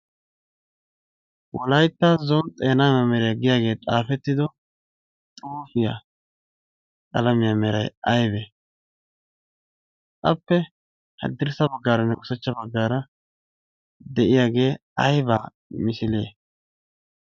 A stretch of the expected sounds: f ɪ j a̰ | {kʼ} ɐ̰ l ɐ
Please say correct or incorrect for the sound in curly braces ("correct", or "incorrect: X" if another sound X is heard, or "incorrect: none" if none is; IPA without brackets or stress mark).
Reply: correct